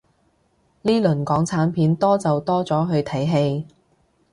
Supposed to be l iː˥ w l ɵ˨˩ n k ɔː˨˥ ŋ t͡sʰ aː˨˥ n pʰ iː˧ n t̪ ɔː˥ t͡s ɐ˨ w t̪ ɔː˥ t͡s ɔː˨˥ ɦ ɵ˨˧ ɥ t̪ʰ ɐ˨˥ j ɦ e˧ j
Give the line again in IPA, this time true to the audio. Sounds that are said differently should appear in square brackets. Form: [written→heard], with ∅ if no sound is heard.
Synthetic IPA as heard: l iː˥ [w→∅] l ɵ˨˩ n k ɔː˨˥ ŋ t͡sʰ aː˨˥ n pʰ [iː˧→iː˨˥] n t̪ ɔː˥ t͡s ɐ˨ w t̪ ɔː˥ t͡s ɔː˨˥ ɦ ɵ˨˧ ɥ t̪ʰ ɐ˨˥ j ɦ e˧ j